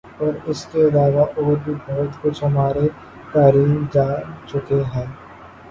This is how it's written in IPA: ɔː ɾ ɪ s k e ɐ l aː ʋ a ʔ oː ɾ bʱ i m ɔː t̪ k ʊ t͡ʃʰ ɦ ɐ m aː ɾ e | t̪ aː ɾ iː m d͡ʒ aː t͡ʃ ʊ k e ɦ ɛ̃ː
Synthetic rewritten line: ɔː ɾ ɪ s k e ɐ l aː ʋ a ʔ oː ɾ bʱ i b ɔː t̪ k ʊ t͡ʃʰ ɦ ɐ m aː ɾ e | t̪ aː ɾ iː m d͡ʒ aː t͡ʃ ʊ k e ɦ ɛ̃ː

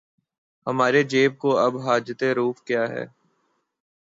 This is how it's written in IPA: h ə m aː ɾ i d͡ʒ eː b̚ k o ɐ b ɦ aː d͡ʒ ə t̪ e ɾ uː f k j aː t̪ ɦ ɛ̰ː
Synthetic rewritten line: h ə m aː ɾ e d͡ʒ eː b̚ k o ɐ b ɦ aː d͡ʒ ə t̪ e ɾ uː f k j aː ɦ ɛ̰ː

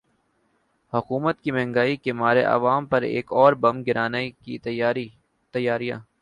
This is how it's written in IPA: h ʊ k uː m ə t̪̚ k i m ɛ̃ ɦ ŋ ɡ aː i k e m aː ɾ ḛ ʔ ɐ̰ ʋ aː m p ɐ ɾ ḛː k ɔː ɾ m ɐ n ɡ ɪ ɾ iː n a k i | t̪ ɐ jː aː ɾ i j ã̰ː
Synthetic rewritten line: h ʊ k uː m ə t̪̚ k i m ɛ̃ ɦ ŋ ɡ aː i k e m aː ɾ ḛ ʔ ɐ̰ ʋ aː m p ɐ ɾ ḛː k ɔː ɾ b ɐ m ɡ ɪ ɾ aː n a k i | t̪ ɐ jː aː ɾ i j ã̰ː

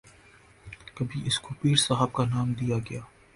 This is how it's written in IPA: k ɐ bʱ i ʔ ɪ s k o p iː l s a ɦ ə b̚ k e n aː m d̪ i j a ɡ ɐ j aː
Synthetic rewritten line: k ɐ bʱ i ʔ ɪ s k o p iː ɾ s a ɦ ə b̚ k a n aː m d̪ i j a ɡ ɐ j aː

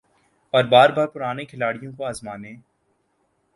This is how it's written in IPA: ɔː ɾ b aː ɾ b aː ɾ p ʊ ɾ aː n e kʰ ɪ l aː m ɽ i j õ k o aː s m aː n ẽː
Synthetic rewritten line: ɔː ɾ b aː ɾ b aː ɾ p ʊ ɾ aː n e kʰ ɪ l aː ɽ i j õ k o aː z m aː n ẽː

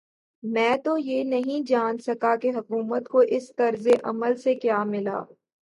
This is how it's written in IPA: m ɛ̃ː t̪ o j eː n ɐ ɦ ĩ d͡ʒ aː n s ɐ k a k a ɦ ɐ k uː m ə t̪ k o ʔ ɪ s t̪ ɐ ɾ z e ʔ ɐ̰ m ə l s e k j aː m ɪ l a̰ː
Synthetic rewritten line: m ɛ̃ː t̪ o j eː n ɐ ɦ ĩ d͡ʒ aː n s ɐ k a k e ɦ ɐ k uː m ə t̪ k o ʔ ɪ s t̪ ɐ ɾ z e ʔ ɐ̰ m ə l s e k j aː m ɪ l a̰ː

